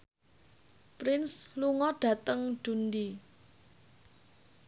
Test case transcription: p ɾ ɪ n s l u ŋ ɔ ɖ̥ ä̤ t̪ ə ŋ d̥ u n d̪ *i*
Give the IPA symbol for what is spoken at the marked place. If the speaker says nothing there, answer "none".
i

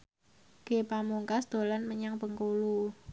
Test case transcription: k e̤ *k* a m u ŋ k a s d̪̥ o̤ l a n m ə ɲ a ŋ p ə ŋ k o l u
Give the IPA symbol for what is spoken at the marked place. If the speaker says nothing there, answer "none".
p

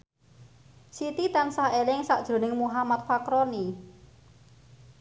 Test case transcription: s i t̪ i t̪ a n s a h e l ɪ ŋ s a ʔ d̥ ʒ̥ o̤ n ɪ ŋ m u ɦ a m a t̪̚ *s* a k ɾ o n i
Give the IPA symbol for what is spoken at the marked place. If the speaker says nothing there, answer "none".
f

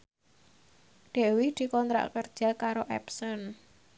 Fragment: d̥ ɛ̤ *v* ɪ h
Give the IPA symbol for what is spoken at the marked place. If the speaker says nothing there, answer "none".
w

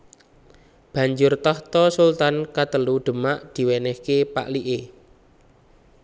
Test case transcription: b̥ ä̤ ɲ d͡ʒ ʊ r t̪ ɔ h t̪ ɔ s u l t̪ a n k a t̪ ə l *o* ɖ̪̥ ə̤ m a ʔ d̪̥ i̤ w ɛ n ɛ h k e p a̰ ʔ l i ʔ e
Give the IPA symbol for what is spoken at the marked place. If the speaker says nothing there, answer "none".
u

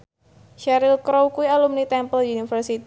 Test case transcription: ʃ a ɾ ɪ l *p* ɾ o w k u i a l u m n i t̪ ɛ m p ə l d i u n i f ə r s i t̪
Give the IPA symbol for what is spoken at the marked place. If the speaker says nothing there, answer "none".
k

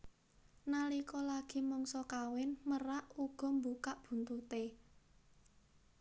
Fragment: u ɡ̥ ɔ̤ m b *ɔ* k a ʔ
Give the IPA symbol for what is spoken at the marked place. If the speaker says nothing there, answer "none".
u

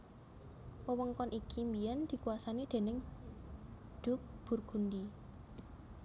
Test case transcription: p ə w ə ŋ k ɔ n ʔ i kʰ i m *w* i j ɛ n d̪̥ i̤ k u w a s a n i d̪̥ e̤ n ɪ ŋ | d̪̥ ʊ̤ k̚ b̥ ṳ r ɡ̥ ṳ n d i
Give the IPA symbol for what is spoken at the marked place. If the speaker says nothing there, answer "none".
b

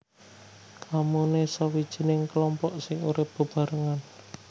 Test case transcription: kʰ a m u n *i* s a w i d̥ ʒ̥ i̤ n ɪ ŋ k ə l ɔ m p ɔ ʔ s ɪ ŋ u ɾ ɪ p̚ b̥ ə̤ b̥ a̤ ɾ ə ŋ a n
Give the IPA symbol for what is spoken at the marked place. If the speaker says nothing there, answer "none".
e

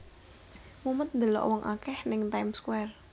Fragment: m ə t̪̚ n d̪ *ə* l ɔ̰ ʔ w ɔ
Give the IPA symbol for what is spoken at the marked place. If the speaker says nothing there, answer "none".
ə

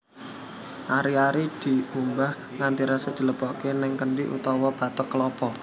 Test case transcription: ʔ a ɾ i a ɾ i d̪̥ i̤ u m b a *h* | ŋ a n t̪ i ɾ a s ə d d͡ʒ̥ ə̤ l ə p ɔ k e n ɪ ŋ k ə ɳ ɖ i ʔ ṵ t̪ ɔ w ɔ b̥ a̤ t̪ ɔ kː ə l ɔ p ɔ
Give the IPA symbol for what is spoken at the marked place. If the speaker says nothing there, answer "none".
h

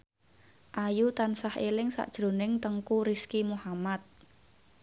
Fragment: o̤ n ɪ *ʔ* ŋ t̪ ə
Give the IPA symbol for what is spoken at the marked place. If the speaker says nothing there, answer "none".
none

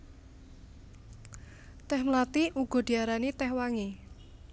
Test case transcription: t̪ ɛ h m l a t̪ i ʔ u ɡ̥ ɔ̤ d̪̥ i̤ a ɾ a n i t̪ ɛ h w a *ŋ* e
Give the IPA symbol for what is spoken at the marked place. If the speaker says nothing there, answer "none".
ŋ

